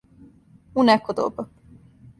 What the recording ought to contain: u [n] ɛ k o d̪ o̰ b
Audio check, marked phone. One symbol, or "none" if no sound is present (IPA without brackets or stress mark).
n